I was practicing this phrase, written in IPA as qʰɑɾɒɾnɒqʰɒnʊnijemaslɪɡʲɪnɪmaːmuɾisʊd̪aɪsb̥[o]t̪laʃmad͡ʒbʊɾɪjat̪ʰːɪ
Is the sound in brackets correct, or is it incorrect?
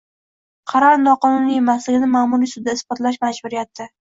incorrect: ɒ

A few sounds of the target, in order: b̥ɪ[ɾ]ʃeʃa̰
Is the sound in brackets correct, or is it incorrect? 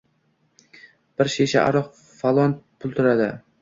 correct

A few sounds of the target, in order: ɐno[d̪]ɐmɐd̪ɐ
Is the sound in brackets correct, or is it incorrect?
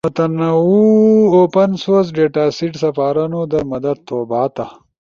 correct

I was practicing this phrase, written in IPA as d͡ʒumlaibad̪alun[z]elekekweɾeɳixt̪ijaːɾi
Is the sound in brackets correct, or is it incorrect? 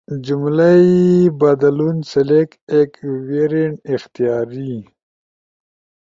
incorrect: s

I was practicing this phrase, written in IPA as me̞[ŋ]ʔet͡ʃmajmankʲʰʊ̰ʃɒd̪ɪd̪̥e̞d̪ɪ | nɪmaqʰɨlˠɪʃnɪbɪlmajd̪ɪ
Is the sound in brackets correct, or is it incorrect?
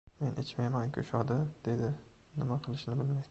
incorrect: n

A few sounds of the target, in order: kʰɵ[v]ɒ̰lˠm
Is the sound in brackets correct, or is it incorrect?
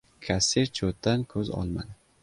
incorrect: z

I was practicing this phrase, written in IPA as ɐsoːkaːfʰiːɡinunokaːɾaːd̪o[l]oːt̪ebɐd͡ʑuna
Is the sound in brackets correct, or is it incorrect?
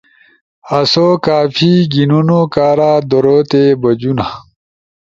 incorrect: ɾ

